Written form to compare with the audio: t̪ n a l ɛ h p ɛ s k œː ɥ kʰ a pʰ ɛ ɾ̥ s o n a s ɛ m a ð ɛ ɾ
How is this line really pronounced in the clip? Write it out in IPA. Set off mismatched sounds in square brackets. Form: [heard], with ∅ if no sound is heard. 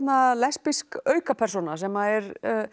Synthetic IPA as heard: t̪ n a l ɛ [s] p [i] s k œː ɥ [k] a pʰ ɛ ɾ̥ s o n a s ɛ m a ð ɛ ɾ